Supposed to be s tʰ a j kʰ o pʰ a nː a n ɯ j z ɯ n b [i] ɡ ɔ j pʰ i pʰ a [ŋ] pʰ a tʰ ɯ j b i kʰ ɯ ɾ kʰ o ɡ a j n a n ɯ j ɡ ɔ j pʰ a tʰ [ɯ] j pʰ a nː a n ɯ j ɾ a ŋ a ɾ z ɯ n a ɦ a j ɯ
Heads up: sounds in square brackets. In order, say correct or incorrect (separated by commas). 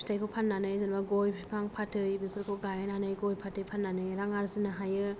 incorrect, correct, correct